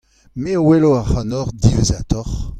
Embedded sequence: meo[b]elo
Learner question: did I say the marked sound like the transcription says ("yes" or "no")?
no